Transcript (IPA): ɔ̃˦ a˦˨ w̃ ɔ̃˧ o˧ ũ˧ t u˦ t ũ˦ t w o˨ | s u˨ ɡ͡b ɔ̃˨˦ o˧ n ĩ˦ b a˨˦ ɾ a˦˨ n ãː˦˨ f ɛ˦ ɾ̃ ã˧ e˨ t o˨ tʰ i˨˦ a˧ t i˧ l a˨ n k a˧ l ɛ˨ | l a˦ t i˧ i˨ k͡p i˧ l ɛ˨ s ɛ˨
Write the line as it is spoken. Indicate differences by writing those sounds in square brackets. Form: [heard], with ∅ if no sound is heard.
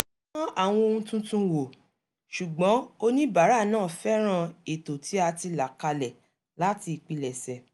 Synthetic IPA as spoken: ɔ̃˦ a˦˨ w̃ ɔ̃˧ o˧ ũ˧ t [ũ˦] t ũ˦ [∅] w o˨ | [ʃ] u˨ ɡ͡b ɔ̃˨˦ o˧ n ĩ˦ b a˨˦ ɾ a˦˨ n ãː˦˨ f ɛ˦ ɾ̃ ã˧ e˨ t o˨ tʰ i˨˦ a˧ t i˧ l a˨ [∅] k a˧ l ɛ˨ | l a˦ t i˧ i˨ k͡p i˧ l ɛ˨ s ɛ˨